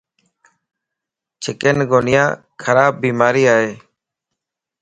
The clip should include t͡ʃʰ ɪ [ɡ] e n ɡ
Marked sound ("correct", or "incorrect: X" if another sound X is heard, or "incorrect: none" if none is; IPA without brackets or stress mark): incorrect: k